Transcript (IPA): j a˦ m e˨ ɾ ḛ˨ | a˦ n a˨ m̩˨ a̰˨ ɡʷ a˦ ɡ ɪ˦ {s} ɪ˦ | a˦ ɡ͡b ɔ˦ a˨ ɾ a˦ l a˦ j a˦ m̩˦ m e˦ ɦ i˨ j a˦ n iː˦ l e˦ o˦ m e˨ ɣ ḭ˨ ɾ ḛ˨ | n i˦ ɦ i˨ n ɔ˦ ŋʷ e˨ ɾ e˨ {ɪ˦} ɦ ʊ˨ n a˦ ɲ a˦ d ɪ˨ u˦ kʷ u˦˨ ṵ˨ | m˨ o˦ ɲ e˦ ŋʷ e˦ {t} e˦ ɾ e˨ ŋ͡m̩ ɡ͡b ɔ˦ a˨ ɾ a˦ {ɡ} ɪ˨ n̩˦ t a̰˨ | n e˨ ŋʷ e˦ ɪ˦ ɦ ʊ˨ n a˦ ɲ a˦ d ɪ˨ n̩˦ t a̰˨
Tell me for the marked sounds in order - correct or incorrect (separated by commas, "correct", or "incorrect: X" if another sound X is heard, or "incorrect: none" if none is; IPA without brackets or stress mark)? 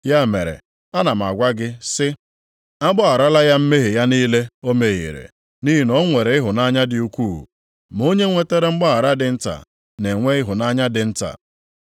correct, correct, correct, incorrect: d